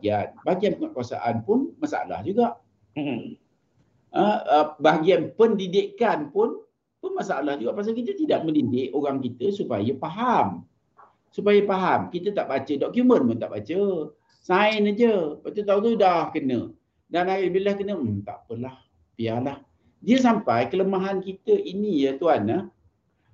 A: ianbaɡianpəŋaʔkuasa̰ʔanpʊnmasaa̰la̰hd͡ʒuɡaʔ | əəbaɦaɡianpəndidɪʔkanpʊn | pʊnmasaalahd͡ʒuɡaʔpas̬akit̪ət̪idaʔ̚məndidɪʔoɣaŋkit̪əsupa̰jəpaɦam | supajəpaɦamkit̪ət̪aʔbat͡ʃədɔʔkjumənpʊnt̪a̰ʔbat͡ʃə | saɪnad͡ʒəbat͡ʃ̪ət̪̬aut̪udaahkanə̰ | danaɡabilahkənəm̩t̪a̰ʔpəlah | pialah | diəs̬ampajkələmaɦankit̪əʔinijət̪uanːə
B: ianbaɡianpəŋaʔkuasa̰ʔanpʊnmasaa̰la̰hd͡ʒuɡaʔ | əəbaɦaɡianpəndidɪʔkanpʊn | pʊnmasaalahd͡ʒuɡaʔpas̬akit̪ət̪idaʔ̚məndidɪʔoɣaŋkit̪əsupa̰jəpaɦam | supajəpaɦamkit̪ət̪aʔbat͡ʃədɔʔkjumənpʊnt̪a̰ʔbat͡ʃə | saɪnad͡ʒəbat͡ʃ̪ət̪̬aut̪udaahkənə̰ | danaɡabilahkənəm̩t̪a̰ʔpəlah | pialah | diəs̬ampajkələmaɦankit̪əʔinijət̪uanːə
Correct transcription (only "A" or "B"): B